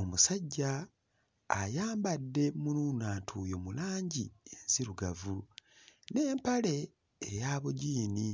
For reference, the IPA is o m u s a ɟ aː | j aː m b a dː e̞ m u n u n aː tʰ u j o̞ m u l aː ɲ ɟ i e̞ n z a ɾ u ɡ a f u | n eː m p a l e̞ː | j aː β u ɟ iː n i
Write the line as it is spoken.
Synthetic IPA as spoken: o m u s a ɟː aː | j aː m b a dː e̞ m u n u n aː tʰ u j o̞ m u l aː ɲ ɟ i e̞ n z i ɾ u ɡ a v u | n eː m p a l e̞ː | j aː β u ɟ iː n i